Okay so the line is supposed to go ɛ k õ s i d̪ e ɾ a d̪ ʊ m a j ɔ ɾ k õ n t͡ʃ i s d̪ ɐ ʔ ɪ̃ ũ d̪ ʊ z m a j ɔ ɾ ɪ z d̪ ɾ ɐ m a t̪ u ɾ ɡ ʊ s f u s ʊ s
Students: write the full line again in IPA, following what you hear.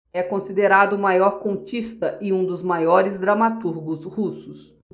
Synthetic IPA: ɛ k õ s i d̪ e ɾ a d̪ ʊ m a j ɔ ɾ k õ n t͡ʃ i s t̪ ɐ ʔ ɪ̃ ũ d̪ ʊ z m a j ɔ ɾ ɪ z d̪ ɾ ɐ m a t̪ u ɾ ɡ ʊ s h u s ʊ s